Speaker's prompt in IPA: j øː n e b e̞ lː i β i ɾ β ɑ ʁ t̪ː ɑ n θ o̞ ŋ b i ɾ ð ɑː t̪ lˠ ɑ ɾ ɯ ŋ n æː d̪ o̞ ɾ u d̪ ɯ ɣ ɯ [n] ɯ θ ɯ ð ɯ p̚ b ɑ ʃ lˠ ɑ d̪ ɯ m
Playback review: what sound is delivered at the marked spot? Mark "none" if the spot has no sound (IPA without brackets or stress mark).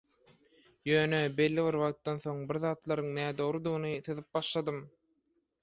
n